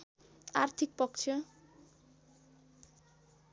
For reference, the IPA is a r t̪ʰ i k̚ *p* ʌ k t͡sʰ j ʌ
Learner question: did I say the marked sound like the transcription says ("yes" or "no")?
yes